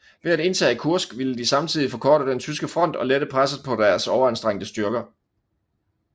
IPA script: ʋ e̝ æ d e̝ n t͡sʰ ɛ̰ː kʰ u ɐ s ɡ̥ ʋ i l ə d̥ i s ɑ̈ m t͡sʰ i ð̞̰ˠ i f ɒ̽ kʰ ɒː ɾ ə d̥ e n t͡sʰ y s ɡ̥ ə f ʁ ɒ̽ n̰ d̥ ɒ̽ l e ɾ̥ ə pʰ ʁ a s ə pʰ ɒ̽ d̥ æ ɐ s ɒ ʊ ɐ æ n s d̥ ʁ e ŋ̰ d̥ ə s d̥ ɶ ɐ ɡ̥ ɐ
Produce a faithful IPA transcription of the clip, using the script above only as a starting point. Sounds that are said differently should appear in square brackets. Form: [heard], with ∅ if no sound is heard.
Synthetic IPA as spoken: ʋ e̝ æ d e̝ n t͡sʰ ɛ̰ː kʰ u ɐ s ɡ̥ ʋ i l ə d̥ i s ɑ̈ m t͡sʰ i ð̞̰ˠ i f ɒ̽ kʰ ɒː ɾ ə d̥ e n t͡sʰ y s ɡ̥ ə f ʁ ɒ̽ n̰ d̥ ɒ̽ l e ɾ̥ ə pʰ ʁ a s ə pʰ ɒ̽ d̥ æ ɐ s ɒ ʊ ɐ æ n s d̥ ʁ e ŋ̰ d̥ ə s d̥ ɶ ɐ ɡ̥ ɐ